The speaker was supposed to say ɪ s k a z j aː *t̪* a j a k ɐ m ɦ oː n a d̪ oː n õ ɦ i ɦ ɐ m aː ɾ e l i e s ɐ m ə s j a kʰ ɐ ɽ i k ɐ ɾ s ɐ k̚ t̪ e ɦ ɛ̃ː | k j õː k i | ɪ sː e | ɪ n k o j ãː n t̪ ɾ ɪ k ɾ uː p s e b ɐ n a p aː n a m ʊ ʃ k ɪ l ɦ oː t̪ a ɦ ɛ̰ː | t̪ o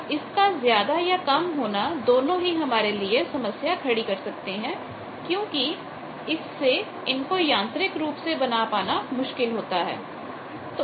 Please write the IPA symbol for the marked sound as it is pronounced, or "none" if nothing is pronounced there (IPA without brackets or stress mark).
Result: d̪